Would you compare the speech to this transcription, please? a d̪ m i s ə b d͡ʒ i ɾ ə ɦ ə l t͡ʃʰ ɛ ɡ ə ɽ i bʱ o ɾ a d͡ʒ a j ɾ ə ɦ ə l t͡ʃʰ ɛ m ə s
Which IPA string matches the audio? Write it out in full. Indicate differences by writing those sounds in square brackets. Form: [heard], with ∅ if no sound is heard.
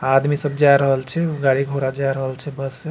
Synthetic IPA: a d̪ m i s ə b d͡ʒ [a] ɾ ə ɦ ə l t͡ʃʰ ɛ ɡ [a] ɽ i [ɡʱ] o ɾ a d͡ʒ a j ɾ ə ɦ ə l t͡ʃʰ ɛ [b] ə s